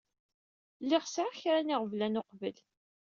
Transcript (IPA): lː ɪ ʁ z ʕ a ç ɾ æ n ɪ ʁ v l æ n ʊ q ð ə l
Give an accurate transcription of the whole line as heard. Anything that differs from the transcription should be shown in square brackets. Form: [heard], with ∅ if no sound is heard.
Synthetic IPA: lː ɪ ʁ [s] ʕ a ç ɾ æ n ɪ ʁ v l æ n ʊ q [v] ə l